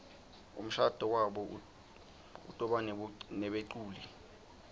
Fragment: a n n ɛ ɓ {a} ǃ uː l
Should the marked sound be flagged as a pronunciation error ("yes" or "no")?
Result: yes